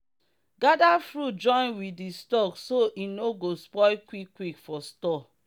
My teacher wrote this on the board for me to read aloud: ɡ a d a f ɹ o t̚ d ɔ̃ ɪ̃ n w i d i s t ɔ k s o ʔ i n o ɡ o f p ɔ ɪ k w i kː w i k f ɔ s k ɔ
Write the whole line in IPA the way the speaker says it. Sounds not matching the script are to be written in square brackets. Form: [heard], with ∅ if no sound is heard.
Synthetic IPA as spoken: ɡ a d a f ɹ [u] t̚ [d͡ʒ] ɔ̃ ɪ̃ n w i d i s t ɔ k s o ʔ i n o ɡ o [s] p ɔ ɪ k w i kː w i k f ɔ s [t] ɔ

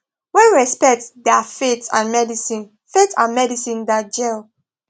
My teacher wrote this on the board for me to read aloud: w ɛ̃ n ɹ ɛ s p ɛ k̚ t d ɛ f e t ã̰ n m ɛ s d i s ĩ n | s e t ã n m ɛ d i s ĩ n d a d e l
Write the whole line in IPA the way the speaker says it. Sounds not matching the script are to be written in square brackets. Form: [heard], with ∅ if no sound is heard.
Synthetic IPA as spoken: w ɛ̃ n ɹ ɛ s p ɛ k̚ t d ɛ f e t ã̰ n m ɛ [∅] d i s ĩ n | [f] e t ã n m ɛ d i s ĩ n d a [d͡ʒ] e l

